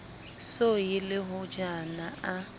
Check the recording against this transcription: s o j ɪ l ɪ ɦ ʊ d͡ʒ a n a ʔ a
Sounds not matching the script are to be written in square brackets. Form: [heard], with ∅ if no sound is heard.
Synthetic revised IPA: s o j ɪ l ɪ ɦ ʊ d͡ʒ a n a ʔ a